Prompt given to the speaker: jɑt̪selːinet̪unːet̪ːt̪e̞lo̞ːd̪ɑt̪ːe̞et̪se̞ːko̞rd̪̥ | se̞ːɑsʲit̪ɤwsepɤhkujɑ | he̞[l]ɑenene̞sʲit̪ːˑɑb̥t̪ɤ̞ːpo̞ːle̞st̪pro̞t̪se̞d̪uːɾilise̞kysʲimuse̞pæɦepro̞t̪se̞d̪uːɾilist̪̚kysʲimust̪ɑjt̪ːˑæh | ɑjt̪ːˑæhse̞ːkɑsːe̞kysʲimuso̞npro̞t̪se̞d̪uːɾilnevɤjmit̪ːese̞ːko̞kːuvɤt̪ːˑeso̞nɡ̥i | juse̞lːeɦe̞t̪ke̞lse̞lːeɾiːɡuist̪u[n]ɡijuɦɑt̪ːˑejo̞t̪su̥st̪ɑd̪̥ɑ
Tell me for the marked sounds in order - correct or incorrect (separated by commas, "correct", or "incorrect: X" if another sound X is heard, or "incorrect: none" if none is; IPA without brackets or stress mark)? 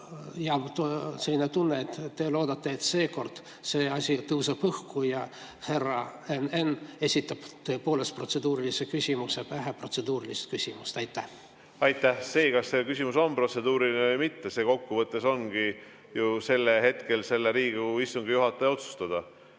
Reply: incorrect: r, incorrect: ŋ